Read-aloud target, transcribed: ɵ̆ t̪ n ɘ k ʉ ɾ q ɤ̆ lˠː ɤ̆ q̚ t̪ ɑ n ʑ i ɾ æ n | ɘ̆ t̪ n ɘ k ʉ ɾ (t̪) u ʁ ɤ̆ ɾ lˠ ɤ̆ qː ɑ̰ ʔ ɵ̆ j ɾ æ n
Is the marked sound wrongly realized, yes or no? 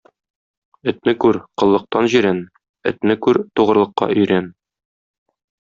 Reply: no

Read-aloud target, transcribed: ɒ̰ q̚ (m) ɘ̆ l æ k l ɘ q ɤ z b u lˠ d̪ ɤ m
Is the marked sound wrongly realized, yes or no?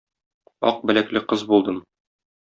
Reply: yes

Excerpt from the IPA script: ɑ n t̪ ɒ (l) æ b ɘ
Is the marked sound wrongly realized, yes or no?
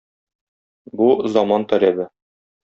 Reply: yes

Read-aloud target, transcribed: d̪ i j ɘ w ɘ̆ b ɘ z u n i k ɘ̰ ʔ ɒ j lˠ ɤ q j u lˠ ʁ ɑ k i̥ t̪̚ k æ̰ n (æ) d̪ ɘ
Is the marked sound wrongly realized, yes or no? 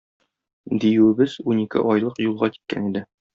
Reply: yes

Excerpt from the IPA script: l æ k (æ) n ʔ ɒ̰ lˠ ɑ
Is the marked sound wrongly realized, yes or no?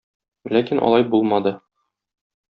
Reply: yes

